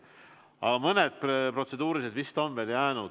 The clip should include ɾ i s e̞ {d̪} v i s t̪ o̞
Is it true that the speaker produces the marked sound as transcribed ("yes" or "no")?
yes